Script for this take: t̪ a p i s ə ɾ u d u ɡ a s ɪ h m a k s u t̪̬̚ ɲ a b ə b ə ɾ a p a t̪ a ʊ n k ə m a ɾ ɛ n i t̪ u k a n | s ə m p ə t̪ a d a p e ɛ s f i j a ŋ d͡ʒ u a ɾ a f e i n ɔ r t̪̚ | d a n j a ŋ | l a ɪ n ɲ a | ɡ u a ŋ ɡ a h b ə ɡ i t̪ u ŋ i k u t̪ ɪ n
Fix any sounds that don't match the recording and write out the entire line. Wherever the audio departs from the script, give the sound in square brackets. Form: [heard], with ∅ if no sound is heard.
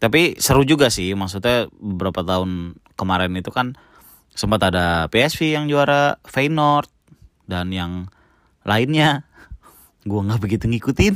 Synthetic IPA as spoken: t̪ a p i s ə ɾ u [d͡ʒ] u ɡ a s ɪ h m a k s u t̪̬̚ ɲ a b ə b ə ɾ a p a t̪ a ʊ n k ə m a ɾ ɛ n i t̪ u k a n | s ə m p [a] t̪ a d a p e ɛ s f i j a ŋ d͡ʒ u a ɾ a f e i n ɔ r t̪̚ | d a n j a ŋ | l a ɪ n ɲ a | ɡ u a ŋ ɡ a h b ə ɡ i t̪ u ŋ i k u t̪ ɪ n